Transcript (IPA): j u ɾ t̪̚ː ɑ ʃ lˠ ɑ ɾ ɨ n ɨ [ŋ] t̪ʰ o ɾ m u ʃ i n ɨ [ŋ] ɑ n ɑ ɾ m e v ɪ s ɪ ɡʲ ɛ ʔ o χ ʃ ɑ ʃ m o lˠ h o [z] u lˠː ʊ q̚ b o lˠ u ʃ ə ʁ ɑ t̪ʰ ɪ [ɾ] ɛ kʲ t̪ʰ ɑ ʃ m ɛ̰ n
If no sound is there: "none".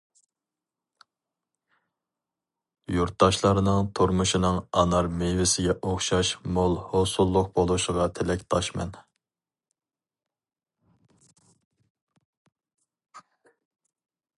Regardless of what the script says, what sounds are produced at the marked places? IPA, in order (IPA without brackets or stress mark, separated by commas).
ŋ, ŋ, s, l